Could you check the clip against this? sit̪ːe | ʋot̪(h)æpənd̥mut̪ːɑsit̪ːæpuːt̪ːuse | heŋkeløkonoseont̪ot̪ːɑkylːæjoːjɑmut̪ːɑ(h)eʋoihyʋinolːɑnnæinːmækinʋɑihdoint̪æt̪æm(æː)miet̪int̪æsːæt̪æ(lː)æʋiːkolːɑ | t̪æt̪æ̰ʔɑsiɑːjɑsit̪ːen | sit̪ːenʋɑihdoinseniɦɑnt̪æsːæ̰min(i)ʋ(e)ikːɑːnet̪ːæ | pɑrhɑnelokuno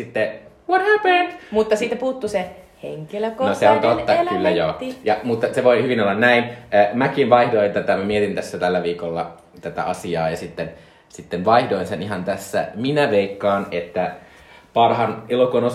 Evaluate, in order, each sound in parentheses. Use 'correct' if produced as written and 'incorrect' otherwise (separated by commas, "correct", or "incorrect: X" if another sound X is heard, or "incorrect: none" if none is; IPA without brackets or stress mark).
correct, incorrect: s, incorrect: æ, correct, incorrect: æ, correct